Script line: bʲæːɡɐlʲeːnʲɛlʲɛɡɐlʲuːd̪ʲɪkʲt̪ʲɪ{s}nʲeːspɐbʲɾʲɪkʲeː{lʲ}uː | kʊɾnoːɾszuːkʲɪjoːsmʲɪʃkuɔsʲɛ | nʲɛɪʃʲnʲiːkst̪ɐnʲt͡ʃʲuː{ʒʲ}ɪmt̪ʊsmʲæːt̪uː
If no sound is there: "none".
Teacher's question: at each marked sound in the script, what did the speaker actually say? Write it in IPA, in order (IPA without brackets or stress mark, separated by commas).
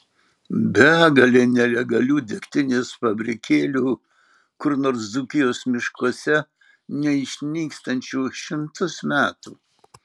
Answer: none, lʲ, ʃʲ